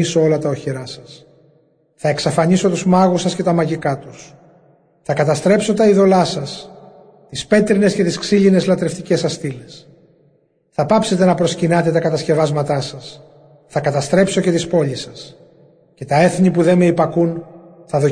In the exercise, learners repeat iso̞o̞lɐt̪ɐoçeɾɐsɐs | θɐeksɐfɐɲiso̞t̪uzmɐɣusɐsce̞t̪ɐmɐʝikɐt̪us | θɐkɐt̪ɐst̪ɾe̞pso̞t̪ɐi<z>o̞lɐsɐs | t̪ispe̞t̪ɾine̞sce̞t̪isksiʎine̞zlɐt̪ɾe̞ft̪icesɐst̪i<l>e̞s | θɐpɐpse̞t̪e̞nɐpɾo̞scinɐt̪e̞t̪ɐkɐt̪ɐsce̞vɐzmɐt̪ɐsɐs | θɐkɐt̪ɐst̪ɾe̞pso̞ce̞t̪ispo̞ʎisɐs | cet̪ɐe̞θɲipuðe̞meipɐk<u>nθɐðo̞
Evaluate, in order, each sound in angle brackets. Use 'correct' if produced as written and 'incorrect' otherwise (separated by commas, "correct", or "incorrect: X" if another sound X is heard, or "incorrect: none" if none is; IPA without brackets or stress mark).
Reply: incorrect: ð, correct, correct